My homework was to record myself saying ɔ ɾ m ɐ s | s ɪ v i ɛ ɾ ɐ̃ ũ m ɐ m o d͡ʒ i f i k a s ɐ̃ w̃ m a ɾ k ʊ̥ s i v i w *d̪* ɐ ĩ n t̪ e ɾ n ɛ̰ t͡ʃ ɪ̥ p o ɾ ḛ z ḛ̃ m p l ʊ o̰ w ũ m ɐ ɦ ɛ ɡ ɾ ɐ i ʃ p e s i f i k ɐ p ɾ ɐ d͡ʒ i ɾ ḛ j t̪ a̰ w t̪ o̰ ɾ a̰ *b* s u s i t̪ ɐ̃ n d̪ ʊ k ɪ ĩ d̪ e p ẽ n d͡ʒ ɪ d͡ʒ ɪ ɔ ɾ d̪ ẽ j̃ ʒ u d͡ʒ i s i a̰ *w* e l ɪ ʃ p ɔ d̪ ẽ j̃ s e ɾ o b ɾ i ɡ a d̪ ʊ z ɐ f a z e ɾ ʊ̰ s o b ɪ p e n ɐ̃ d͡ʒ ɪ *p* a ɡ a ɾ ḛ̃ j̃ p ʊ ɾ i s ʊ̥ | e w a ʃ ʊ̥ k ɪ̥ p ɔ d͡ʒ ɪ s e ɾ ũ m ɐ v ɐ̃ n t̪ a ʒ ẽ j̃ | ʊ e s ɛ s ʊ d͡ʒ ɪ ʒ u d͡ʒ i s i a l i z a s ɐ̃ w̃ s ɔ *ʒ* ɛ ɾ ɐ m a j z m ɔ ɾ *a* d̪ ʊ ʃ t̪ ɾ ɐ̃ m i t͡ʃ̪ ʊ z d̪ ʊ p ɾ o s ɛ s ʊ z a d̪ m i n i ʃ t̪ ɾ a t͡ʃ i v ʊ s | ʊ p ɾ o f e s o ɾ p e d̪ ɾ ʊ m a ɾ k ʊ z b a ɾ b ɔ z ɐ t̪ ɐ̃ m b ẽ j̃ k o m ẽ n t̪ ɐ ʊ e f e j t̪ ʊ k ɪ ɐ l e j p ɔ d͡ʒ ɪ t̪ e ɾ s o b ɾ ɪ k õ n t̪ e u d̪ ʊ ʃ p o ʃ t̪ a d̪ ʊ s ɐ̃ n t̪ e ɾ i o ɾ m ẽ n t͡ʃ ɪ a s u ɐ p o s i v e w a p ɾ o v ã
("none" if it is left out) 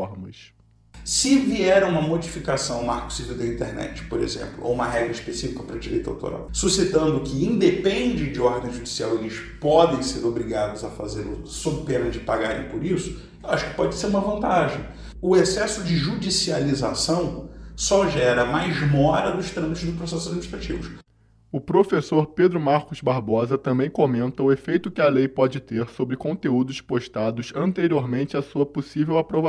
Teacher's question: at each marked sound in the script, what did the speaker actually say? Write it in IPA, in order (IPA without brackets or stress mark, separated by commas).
d̪, w, w, p, ʒ, ɐ